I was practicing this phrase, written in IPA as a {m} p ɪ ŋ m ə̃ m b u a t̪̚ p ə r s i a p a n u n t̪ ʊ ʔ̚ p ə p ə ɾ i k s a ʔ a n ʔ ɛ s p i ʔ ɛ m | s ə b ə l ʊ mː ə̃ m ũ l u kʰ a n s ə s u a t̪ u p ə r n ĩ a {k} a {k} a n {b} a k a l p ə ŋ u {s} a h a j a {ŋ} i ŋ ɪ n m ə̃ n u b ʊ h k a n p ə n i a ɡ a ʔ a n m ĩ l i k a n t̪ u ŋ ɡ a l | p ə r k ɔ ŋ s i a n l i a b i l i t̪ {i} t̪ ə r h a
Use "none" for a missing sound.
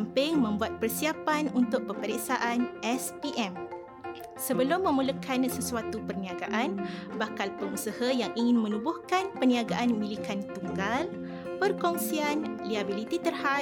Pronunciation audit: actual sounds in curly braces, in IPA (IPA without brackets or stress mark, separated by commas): m, ɡ, ʔ, b, s, ŋ, i